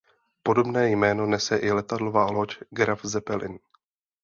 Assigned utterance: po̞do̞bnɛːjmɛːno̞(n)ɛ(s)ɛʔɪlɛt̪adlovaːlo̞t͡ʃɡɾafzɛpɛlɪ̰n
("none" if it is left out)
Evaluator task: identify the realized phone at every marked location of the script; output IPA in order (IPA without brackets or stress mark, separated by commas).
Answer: n, s